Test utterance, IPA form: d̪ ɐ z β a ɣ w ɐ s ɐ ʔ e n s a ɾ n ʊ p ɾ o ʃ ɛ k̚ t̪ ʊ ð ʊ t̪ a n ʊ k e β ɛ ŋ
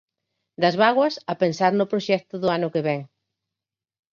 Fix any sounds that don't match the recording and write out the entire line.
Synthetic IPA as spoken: d̪ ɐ z β a ɣ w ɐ s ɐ p e n s a ɾ n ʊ p ɾ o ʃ ɛ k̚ t̪ ʊ ð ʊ a n ʊ k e β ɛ ŋ